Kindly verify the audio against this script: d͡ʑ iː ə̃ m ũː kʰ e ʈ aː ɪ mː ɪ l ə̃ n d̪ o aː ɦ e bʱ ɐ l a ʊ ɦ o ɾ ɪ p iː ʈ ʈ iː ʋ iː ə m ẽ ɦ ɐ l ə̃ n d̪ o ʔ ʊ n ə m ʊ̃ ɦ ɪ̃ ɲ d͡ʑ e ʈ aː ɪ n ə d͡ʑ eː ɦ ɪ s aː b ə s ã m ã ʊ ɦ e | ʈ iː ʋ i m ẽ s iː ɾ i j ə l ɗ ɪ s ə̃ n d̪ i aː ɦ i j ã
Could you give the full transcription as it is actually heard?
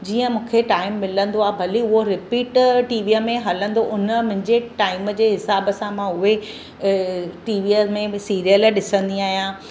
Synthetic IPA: d͡ʑ iː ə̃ m ũː kʰ e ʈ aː ɪ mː ɪ l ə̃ n d̪ o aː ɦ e bʱ ɐ l i ʊ ɦ o ɾ ɪ p iː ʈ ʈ iː ʋ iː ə m ẽ ɦ ɐ l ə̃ n d̪ o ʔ ʊ n ə m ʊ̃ ɦ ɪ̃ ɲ d͡ʑ e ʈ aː ɪ m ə d͡ʑ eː ɦ ɪ s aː b ə s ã m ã ʊ ɦ e | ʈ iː ʋ i m ẽ s iː ɾ i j ə l ɗ ɪ s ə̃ n d̪ i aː ɦ i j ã